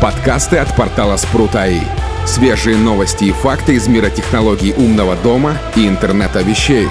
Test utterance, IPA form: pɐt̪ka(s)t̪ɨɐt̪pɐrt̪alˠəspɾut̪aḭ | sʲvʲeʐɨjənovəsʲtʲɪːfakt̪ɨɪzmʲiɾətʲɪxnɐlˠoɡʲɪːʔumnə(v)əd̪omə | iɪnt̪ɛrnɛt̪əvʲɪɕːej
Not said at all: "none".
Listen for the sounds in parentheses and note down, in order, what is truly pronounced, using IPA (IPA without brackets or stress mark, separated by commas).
s, v